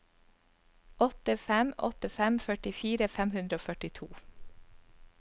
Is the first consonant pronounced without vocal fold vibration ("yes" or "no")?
yes